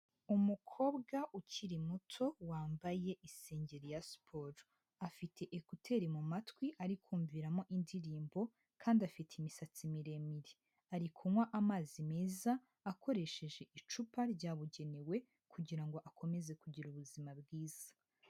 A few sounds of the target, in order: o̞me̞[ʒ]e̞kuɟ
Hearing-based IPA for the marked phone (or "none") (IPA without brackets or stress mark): z